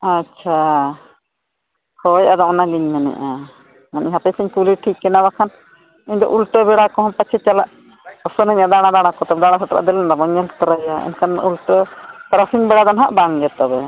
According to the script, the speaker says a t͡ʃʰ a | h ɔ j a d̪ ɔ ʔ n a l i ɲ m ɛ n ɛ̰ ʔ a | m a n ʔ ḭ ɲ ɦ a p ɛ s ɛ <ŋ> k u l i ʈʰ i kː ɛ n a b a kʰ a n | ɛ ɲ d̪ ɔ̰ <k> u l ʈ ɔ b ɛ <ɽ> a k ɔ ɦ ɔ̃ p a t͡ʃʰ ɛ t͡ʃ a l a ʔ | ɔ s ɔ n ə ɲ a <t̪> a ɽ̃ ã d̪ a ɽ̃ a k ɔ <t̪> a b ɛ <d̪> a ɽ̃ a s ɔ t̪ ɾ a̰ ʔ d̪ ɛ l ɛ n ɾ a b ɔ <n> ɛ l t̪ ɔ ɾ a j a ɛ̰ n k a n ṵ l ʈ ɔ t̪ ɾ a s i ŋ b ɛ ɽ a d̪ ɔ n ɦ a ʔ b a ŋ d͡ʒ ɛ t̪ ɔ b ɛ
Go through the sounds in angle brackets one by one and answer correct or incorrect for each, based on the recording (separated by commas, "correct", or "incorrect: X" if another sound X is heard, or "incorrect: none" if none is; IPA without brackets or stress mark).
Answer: incorrect: ɲ, incorrect: ʔ, correct, incorrect: d̪, correct, correct, incorrect: ɲ